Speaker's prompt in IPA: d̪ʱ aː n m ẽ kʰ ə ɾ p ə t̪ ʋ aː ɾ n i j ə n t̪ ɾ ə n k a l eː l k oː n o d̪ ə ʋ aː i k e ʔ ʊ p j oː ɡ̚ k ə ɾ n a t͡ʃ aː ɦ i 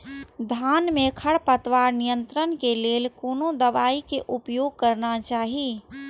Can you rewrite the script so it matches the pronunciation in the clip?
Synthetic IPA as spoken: d̪ʱ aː n m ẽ kʰ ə ɽ p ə t̪ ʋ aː ɾ n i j ə n t̪ ɾ ə n k e l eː l k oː n o d̪ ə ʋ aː i k e ʔ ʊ p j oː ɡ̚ k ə ɾ n a t͡ʃ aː ɦ i